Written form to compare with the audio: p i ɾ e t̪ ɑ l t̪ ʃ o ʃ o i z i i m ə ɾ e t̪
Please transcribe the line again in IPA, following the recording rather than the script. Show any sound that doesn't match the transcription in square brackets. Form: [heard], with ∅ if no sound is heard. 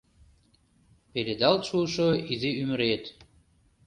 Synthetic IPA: p [e] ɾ e [d̪] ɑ l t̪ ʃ [u] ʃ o i z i [y] m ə ɾ e t̪